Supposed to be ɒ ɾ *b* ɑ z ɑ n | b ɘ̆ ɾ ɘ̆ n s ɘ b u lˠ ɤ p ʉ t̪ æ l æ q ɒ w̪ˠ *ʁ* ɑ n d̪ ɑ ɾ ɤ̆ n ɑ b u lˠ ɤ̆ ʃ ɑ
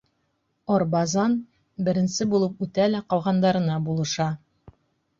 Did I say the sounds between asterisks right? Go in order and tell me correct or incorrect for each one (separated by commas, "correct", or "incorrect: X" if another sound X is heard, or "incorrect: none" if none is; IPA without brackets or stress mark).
correct, correct